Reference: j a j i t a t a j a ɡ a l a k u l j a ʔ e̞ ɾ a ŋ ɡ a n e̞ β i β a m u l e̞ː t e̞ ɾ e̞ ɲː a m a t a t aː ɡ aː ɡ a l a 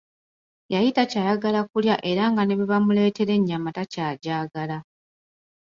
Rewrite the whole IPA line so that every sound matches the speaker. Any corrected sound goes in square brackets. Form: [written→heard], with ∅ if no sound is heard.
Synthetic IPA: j a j i t a [t→c] a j a ɡ a l a k u l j a ʔ e̞ ɾ a ŋ ɡ a n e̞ β i β a m u l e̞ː t e̞ ɾ e̞ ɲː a m a t a [t→c] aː [ɡ→ɟ] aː ɡ a l a